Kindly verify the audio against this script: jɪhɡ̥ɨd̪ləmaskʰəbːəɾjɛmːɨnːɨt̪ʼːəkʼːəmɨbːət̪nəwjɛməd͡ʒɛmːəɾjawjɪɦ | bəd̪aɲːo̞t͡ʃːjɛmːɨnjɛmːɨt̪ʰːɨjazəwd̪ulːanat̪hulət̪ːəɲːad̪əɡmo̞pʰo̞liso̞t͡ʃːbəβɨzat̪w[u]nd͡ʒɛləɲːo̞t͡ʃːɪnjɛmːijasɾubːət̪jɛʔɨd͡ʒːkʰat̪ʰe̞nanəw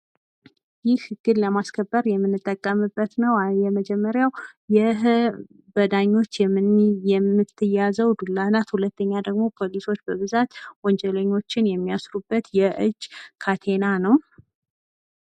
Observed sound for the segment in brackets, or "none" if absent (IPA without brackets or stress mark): ɔ